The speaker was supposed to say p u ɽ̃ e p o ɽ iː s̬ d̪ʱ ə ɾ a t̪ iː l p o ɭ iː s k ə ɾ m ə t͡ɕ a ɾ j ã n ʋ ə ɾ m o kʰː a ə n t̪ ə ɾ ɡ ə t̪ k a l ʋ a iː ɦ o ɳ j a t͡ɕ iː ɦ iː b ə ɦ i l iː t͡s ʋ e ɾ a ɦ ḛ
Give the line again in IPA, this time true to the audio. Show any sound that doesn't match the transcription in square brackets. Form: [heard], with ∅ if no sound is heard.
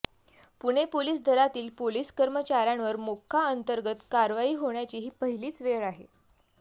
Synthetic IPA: p u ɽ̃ e p o [l] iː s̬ d̪ʱ ə ɾ a t̪ iː l p o [l] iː s k ə ɾ m ə t͡ɕ a ɾ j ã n ʋ ə ɾ m o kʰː a ə n t̪ ə ɾ ɡ ə t̪ k a [ɾ] ʋ a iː ɦ o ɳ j a t͡ɕ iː ɦ iː [p] ə ɦ i l iː t͡s ʋ e [ɭ] a ɦ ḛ